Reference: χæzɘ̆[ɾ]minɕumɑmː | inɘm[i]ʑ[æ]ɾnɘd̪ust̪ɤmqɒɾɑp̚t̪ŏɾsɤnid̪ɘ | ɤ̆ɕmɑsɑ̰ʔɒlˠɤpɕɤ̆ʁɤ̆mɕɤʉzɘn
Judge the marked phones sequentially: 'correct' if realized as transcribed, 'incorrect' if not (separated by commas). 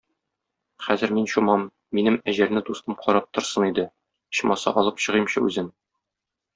correct, incorrect, correct